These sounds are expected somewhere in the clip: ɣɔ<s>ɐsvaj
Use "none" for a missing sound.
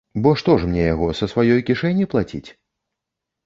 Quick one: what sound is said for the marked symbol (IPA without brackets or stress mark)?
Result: s